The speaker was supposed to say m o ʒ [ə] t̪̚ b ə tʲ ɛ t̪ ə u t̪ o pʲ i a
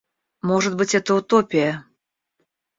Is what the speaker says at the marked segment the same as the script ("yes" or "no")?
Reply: yes